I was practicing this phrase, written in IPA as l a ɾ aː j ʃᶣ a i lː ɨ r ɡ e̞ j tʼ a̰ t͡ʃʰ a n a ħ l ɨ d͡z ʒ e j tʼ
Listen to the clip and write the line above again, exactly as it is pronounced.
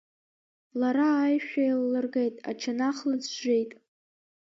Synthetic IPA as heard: l a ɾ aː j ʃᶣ a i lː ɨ r ɡ e̞ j tʼ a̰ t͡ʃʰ a n a χ l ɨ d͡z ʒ e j tʼ